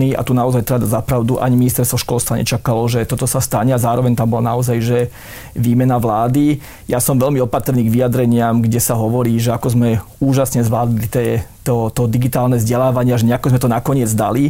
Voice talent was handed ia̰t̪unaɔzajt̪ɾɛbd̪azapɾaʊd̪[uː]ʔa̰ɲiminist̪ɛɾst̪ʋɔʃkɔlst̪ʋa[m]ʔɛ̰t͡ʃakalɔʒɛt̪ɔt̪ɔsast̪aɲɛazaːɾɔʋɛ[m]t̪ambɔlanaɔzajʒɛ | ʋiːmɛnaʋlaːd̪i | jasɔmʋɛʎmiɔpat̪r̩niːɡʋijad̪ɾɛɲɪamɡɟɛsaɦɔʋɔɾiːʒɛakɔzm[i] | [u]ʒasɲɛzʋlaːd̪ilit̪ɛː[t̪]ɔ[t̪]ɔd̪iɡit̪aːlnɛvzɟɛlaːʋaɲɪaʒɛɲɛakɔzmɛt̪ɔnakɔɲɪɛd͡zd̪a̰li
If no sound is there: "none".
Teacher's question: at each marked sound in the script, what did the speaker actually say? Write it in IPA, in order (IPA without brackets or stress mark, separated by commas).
u, ɲ, ɲ, ɛ, uː, t̪, t̪